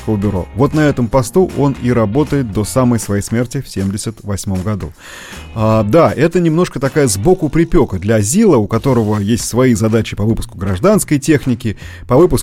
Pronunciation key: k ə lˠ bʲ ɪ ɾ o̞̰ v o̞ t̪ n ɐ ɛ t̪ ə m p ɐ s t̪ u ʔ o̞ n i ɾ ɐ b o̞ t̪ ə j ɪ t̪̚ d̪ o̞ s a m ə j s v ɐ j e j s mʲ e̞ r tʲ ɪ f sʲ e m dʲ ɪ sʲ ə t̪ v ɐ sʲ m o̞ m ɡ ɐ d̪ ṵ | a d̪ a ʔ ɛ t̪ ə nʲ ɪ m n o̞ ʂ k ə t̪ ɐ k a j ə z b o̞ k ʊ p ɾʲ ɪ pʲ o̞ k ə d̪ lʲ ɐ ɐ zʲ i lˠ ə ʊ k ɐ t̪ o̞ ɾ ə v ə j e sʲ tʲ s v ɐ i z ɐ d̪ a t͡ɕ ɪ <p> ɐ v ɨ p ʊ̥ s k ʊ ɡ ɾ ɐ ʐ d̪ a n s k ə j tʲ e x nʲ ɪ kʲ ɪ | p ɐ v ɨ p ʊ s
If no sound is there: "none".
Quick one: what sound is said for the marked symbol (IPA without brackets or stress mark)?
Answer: p